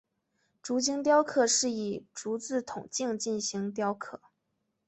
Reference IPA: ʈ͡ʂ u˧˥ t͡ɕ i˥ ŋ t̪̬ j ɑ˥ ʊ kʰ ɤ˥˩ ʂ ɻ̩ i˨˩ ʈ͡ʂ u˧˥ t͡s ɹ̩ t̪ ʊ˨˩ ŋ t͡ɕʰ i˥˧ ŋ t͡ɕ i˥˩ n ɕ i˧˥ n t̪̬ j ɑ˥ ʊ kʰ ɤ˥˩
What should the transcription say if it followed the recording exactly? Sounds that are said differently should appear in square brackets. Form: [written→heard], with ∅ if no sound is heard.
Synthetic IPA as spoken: ʈ͡ʂ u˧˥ t͡ɕ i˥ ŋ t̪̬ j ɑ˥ ʊ kʰ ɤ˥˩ ʂ ɻ̩ i˨˩ ʈ͡ʂ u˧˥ t͡s ɹ̩ [t̪→t̪ʰ] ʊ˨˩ ŋ [t͡ɕʰ→t͡ɕ] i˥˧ ŋ t͡ɕ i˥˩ n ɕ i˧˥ [n→ŋ] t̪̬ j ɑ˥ ʊ kʰ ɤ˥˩